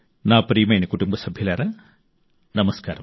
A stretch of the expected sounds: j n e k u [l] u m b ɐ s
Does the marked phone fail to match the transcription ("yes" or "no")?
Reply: yes